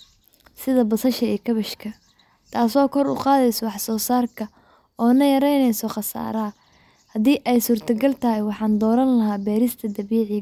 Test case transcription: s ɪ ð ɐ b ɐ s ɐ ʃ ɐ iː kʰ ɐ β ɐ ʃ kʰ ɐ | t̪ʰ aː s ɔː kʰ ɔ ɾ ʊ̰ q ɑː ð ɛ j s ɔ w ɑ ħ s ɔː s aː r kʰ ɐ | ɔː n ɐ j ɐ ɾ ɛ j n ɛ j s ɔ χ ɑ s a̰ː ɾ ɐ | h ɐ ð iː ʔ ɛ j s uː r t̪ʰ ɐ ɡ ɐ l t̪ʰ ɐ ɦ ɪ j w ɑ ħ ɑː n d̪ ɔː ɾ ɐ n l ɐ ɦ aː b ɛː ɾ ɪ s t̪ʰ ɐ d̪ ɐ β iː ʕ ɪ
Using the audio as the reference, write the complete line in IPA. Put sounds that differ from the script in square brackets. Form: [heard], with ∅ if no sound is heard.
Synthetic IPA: s ɪ ð ɐ b ɐ s ɐ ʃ ɐ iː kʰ ɐ β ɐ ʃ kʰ ɐ | t̪ʰ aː s ɔː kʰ ɔ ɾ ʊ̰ q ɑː ð ɛ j s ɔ w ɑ ħ s ɔː s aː r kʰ ɐ | ɔː n ɐ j ɐ ɾ ɛ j n ɛ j s ɔ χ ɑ s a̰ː ɾ ɐ | h ɐ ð iː ʔ ɛ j s uː r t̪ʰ ɐ ɡ ɐ l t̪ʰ ɐ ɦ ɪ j w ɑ ħ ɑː n d̪ ɔː ɾ ɐ n l ɐ ɦ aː b ɛː ɾ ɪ s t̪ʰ ɐ d̪ ɐ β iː ʕ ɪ